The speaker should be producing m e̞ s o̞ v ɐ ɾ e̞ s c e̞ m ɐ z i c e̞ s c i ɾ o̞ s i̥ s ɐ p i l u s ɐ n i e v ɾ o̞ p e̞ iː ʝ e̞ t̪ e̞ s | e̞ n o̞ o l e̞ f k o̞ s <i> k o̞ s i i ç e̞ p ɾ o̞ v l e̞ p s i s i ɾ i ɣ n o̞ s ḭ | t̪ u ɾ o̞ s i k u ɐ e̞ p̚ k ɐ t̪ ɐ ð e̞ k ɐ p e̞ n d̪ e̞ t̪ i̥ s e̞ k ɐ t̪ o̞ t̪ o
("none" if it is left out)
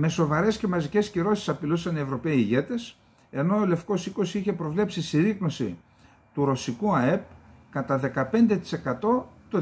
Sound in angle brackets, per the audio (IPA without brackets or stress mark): i